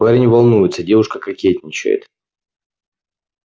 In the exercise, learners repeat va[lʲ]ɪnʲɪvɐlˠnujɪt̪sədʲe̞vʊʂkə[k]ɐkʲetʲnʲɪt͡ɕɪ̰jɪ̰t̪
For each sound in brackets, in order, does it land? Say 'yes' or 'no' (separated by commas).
no, yes